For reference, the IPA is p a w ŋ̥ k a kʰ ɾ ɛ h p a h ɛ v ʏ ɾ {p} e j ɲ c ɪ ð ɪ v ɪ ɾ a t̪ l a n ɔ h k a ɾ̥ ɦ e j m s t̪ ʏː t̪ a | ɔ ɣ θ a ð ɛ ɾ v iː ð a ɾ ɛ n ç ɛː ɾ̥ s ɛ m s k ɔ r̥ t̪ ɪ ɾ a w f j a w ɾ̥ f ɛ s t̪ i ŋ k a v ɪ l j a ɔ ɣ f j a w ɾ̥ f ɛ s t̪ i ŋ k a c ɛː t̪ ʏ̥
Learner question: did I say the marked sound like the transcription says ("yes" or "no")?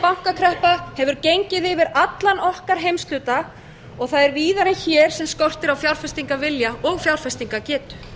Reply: no